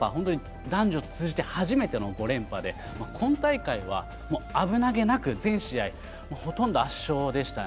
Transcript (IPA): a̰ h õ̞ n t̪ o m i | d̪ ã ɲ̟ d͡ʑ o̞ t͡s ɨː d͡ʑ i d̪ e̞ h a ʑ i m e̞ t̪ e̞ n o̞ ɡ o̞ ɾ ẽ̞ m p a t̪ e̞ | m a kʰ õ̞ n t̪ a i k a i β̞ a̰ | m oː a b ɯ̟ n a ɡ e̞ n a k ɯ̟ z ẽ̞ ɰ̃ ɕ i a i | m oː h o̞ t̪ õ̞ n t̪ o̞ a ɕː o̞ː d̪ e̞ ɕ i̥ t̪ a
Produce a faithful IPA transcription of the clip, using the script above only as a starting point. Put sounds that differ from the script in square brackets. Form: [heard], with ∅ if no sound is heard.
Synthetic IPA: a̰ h õ̞ n t̪ o [ɲ] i | d̪ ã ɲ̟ d͡ʑ o̞ t͡s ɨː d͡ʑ i [t̪] e̞ h a ʑ i m e̞ t̪ e̞ n o̞ ɡ o̞ ɾ ẽ̞ m p a [d̪] e̞ | m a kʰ õ̞ n t̪ a i k a i β̞ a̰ | m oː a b ɯ̟ n a ɡ e̞ n a k ɯ̟ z ẽ̞ ɰ̃ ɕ i a i | m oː h o̞ t̪ õ̞ n [d̪] o̞ a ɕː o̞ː d̪ e̞ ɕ i̥ t̪ a